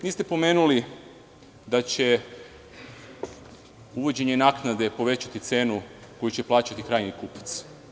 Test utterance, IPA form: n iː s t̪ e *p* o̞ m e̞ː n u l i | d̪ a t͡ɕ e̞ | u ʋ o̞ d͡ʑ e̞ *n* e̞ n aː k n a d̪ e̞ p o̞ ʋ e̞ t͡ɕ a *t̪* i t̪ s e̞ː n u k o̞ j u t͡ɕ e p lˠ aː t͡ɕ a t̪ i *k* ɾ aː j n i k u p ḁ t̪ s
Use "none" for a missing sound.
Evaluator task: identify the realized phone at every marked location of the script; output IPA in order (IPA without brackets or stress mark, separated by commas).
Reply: p, ɲ, t̪, k